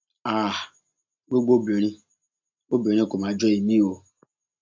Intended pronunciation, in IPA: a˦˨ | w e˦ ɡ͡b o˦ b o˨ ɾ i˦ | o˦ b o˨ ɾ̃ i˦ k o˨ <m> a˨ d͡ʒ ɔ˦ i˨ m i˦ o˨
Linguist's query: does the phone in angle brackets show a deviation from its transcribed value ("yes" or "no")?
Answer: no